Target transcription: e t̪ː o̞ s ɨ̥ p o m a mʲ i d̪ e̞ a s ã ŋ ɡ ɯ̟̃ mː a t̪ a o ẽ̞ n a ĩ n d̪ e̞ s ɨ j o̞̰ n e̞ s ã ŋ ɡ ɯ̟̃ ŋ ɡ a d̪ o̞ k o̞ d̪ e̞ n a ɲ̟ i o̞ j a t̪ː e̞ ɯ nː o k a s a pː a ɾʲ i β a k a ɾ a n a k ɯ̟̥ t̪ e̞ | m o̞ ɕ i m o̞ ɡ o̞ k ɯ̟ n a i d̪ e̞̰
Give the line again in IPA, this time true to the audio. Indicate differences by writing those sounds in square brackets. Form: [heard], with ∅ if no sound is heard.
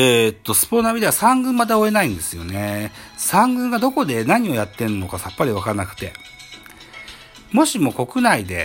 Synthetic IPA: e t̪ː o̞ s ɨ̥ p o [n] a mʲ i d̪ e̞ a s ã ŋ ɡ ɯ̟̃ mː a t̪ a o [e̞] n a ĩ n d̪ e̞ s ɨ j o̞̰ n e̞ s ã ŋ ɡ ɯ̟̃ ŋ ɡ a d̪ o̞ k o̞ d̪ e̞ n a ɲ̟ i o̞ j a t̪ː e̞ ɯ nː o k a s a pː a ɾʲ i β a k a ɾ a n a k ɯ̟̥ t̪ e̞ | m o̞ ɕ i m o̞ [k] o̞ k ɯ̟ n a i d̪ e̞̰